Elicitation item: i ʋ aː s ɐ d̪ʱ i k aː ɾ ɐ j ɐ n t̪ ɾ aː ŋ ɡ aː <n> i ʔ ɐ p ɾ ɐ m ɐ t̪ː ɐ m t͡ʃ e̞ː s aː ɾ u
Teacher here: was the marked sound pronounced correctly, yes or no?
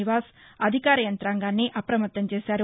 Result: no